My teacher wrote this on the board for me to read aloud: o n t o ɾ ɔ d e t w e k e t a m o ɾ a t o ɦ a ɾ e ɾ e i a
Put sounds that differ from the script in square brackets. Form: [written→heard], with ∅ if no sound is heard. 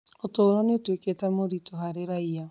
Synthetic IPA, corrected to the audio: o [n→∅] t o ɾ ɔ [d→n] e t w e k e t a m o ɾ [a→i] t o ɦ a ɾ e ɾ [e→a] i a